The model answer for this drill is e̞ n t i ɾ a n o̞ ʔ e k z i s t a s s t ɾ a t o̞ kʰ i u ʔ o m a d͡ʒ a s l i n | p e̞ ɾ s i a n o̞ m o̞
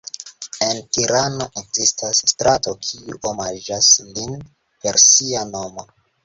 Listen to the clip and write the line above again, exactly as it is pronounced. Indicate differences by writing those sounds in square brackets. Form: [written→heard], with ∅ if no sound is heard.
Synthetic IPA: e̞ n t i ɾ a n o̞ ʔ e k z i s t a s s t ɾ a t o̞ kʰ i u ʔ o m a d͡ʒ a s l i n | p e̞ ɾ s i a n o̞ m o̞

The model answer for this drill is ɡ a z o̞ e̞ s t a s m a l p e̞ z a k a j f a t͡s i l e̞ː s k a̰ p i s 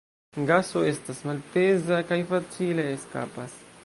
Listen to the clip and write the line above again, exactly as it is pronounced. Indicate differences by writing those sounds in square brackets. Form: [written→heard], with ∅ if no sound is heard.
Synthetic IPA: ɡ a [z→s] o̞ e̞ s t a s m a l p e̞ z a k a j f a t͡s i l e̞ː s k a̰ p [i→a] s

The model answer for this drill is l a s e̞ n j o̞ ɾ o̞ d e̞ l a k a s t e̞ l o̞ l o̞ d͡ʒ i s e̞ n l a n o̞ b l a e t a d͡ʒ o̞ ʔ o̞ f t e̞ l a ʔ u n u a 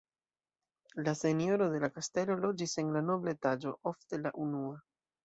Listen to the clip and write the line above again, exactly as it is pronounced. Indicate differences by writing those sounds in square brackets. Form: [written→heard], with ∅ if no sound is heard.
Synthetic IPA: l a s e̞ n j o̞ ɾ o̞ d e̞ l a k a s t e̞ l o̞ l o̞ d͡ʒ i s e̞ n l a n o̞ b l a e t a d͡ʒ o̞ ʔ o̞ f t e̞ l a ʔ u n u a

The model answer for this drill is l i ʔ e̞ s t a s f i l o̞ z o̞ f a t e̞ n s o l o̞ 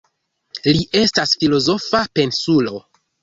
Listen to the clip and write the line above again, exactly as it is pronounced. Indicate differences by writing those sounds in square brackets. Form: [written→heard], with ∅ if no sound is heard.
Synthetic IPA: l i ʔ e̞ s t a s f i l o̞ z o̞ f a [t→p] e̞ n s [o→u] l o̞

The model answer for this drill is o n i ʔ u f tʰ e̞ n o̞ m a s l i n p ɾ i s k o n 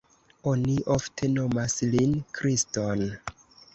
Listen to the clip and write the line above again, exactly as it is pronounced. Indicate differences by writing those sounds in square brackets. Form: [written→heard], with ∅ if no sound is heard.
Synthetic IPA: o n i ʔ [u→o] f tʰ e̞ n o̞ m a s l i n [p→k] ɾ i s [k→t] o n

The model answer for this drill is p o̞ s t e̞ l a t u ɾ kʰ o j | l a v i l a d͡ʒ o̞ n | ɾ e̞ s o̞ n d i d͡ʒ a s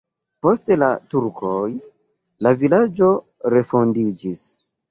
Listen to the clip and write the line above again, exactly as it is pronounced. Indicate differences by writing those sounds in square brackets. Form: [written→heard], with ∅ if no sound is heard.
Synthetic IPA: p o̞ s t e̞ l a t u ɾ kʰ o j | l a v i l a d͡ʒ o̞ [n→∅] | ɾ e̞ [s→f] o̞ n d i d͡ʒ [a→i] s

